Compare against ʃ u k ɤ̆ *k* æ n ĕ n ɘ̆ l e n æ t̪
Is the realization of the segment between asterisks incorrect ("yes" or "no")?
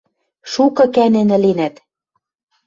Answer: no